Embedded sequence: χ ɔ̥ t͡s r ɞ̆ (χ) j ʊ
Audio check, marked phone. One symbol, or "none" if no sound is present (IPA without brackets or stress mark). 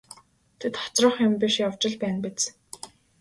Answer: χ